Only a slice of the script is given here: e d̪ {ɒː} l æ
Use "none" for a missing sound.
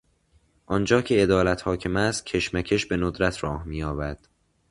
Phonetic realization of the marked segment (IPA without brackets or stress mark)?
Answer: ɒː